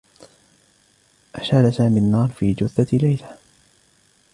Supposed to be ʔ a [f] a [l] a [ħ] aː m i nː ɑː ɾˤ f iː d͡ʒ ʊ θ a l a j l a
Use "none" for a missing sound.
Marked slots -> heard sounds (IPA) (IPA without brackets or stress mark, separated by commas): ʃ, l, s